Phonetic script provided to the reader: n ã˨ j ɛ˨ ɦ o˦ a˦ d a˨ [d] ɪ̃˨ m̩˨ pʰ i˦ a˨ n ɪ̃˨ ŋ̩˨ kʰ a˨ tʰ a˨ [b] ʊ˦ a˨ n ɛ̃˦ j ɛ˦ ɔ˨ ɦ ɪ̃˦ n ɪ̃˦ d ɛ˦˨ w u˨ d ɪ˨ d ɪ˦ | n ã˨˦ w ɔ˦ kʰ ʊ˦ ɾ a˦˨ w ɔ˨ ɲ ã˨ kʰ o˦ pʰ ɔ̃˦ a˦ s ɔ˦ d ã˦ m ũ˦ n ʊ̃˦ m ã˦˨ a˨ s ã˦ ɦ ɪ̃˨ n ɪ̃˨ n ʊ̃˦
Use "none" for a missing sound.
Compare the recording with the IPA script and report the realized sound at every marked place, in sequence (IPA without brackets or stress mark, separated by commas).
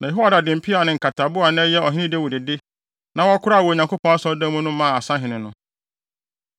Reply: d, b